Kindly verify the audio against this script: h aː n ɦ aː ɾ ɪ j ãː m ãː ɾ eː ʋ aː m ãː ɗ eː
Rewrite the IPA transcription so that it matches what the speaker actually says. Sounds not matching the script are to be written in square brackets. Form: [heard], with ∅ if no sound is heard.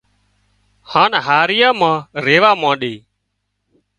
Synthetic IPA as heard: h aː n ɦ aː ɾ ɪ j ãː m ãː ɾ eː ʋ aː m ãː ɗ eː